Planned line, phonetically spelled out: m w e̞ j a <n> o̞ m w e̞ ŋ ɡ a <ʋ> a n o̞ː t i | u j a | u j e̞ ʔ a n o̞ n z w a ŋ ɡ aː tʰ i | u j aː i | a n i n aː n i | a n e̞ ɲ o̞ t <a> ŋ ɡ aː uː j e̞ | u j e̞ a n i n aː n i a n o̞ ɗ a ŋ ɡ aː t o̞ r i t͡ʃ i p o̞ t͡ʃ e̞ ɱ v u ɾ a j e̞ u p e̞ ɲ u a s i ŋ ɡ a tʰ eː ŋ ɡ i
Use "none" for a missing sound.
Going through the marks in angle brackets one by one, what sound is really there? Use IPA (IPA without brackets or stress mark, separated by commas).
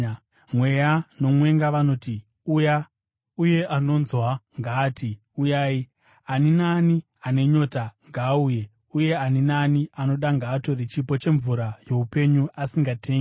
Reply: n, ʋ, a